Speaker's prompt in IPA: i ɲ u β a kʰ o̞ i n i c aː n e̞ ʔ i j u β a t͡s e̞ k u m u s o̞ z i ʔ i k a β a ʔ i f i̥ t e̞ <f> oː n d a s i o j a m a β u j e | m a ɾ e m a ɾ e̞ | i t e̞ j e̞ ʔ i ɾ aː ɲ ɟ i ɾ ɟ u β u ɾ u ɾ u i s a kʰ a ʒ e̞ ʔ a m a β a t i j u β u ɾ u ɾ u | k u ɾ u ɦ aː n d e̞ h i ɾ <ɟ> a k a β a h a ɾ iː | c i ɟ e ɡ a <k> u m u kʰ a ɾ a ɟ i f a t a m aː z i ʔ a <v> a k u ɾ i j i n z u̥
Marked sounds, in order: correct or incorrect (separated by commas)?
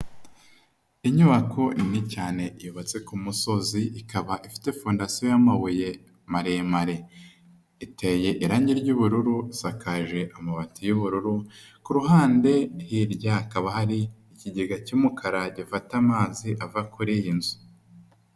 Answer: correct, correct, incorrect, correct